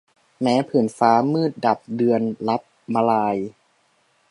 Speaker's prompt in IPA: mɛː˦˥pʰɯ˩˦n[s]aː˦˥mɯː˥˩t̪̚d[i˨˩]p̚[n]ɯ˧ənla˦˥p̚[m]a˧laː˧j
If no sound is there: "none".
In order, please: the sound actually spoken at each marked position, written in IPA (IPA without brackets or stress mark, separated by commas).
f, a˨˩, d, m